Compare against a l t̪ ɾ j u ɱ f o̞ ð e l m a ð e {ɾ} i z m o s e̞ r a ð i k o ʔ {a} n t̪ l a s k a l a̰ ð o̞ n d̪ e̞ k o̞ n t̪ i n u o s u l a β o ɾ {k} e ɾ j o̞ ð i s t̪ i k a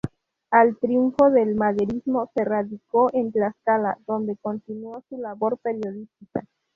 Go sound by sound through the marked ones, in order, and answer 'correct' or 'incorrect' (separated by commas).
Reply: correct, incorrect, incorrect